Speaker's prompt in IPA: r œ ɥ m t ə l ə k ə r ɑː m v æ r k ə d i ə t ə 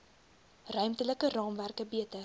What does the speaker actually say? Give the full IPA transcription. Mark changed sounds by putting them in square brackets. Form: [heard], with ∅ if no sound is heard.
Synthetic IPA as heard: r œ ɥ m t ə l ə k ə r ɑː m v æ r k ə [b] i ə t ə